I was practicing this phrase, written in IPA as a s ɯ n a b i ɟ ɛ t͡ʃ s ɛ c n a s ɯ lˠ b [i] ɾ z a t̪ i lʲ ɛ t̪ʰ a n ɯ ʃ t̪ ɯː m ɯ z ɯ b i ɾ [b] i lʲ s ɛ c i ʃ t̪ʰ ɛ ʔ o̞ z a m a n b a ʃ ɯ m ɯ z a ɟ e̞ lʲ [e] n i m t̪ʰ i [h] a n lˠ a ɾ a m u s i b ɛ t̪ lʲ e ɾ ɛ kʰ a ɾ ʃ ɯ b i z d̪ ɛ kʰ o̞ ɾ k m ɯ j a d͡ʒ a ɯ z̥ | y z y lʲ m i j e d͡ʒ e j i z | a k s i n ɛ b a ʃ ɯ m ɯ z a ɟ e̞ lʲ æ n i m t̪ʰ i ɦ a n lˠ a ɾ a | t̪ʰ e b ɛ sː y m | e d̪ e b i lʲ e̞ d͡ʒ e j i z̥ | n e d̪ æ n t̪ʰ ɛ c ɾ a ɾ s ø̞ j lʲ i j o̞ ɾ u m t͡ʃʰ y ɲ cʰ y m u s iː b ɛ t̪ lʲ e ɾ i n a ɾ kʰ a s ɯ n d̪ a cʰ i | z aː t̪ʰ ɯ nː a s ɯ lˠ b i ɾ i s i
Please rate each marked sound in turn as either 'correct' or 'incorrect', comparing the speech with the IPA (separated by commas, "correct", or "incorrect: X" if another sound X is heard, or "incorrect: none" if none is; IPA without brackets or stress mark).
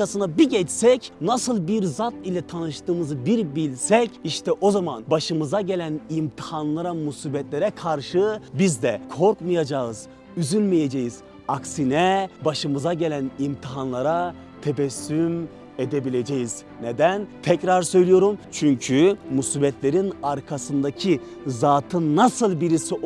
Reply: correct, correct, incorrect: æ, correct